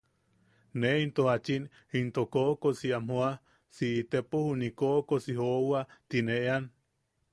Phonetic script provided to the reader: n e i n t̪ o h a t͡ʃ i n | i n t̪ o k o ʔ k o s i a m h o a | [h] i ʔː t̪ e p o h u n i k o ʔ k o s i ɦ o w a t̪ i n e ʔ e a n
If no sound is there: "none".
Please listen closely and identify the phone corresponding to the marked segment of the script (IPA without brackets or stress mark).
s